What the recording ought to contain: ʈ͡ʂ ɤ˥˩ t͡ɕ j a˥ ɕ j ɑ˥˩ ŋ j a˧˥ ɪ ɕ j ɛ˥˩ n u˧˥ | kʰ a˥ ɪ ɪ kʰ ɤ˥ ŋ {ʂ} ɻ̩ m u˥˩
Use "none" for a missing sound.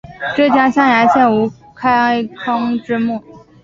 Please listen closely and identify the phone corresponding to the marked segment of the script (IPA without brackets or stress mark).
ʈ͡ʂ